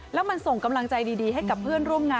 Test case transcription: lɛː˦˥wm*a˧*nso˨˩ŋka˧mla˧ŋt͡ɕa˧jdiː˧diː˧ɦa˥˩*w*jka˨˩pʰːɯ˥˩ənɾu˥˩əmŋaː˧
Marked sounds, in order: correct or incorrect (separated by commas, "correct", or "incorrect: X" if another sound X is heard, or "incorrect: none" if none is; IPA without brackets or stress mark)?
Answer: correct, incorrect: none